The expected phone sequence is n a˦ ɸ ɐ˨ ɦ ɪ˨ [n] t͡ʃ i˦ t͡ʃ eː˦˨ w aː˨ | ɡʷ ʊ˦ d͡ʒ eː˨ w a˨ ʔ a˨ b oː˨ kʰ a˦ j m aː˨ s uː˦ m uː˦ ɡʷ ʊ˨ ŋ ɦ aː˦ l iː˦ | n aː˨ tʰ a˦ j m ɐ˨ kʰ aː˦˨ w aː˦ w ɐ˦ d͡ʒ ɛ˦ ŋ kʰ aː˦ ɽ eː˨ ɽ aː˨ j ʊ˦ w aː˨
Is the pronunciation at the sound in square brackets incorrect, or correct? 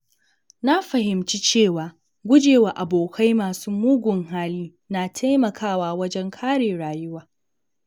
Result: incorrect: m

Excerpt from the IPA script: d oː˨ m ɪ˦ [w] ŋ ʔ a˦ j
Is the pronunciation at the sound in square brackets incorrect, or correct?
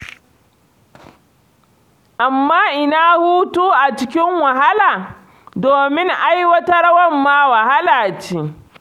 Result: incorrect: none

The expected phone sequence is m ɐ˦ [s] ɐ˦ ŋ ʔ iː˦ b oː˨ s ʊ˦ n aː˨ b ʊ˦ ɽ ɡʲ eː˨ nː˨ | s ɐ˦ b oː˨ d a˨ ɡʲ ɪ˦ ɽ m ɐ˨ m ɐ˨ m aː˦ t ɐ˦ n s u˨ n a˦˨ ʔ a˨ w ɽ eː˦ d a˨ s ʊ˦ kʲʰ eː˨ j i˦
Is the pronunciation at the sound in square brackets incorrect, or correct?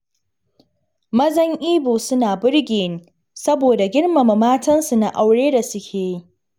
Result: incorrect: z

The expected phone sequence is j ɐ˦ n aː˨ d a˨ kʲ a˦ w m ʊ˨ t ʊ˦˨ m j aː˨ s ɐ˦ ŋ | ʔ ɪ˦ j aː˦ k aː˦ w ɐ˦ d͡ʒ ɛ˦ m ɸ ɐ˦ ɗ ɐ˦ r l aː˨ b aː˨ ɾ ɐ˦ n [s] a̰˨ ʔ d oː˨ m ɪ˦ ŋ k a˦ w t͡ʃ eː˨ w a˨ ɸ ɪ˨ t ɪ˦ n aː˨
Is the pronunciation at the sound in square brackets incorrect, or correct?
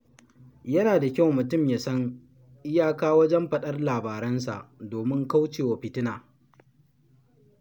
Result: correct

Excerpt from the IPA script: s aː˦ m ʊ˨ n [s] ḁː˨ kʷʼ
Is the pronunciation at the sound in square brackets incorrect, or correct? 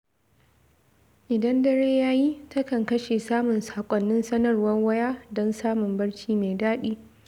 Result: correct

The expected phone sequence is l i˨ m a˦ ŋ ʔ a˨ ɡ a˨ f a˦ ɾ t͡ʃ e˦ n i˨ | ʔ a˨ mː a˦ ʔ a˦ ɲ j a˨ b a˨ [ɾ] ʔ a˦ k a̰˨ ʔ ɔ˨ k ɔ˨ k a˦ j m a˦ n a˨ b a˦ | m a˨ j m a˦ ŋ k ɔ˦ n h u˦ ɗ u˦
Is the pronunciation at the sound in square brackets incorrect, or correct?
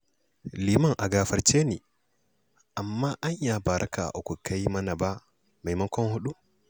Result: correct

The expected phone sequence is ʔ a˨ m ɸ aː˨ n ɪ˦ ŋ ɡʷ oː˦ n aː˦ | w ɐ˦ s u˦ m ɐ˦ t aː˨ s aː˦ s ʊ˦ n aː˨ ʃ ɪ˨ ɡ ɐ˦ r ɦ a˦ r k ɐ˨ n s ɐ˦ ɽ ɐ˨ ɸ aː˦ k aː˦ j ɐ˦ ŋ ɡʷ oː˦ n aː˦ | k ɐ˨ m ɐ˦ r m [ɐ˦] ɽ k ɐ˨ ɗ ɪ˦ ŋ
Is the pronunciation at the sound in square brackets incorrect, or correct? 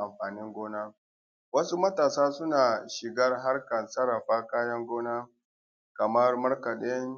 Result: correct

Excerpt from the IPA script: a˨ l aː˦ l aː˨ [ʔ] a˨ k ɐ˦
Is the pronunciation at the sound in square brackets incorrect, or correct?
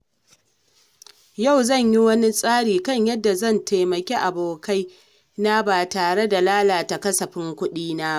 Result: incorrect: t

